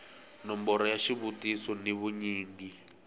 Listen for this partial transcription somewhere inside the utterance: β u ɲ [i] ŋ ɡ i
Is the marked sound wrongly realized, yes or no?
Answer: yes